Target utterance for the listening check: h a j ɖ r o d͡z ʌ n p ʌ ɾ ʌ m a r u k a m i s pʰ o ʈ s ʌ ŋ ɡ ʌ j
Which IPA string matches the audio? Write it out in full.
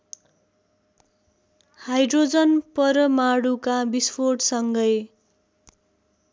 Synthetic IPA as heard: h a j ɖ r o d͡z ʌ n p ʌ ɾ ʌ m a ɽ u k a b i s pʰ o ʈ s ʌ ŋ ɡ ʌ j